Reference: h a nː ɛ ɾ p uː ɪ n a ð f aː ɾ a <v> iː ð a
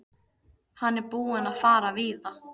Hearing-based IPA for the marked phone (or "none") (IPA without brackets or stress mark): v